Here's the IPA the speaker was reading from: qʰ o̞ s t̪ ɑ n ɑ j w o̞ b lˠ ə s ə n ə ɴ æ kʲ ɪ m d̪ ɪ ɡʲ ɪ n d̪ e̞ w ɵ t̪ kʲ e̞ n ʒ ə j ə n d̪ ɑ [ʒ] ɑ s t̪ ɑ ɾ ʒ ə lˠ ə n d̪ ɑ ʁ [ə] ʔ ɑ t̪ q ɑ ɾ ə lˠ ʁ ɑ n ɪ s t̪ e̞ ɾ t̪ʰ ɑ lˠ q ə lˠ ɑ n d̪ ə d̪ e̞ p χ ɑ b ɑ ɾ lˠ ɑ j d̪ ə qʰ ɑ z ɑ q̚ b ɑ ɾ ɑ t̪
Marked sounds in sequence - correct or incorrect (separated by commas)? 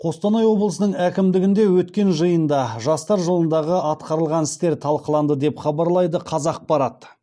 correct, correct